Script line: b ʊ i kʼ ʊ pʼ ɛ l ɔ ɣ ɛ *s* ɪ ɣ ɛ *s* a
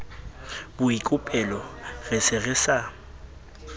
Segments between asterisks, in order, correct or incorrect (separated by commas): correct, correct